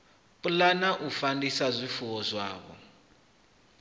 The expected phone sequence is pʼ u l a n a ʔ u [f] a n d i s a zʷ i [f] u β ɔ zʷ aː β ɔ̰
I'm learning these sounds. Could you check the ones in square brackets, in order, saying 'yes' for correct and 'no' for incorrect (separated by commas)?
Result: yes, yes